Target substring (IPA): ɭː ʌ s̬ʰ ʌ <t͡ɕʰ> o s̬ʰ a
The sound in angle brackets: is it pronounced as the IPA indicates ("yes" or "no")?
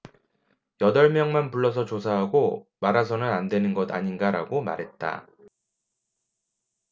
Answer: no